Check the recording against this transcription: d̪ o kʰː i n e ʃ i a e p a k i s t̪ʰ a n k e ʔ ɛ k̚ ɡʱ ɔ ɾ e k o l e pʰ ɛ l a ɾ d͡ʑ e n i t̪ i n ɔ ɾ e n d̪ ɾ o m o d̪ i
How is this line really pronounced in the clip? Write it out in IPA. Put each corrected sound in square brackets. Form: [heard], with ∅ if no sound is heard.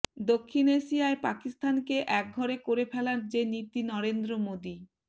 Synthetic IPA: d̪ o kʰː i n e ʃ i a e p a k i s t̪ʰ a n k e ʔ ɛ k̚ ɡʱ ɔ ɾ e k o [ɾ] e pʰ ɛ l a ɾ d͡ʑ e n i t̪ i n ɔ ɾ e n d̪ ɾ o m o d̪ i